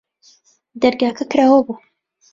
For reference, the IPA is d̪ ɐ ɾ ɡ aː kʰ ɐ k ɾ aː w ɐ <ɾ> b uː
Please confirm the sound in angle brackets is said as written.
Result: no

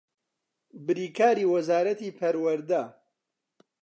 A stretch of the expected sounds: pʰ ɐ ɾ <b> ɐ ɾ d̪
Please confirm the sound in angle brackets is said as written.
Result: no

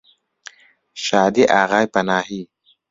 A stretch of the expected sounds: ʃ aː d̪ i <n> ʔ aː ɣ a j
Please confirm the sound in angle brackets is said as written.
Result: no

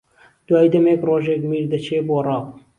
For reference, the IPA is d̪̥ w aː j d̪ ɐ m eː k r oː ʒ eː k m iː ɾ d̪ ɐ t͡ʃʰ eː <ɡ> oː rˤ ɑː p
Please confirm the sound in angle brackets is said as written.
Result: no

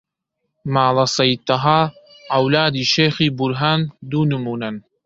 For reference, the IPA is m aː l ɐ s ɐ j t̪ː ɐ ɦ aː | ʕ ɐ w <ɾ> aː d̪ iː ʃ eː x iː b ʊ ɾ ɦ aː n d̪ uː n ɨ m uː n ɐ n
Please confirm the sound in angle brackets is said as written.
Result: no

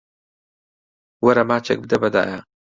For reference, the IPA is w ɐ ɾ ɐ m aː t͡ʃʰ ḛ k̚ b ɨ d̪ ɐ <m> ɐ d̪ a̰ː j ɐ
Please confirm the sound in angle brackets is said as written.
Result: no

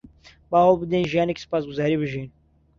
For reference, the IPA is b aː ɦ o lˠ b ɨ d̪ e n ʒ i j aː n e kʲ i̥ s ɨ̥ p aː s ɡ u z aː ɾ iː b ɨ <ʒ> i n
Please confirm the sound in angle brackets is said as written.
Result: yes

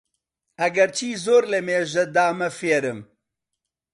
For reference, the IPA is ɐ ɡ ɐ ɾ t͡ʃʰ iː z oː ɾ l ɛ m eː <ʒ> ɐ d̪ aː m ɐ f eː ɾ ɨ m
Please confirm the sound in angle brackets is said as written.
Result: yes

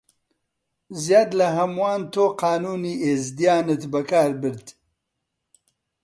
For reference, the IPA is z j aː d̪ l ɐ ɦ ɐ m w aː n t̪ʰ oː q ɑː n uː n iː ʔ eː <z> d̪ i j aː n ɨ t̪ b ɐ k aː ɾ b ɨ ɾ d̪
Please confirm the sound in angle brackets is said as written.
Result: yes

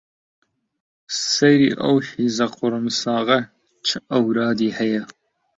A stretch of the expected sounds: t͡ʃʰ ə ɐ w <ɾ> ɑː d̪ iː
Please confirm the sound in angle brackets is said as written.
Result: yes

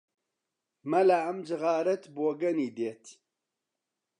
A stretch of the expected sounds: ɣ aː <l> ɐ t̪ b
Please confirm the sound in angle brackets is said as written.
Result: no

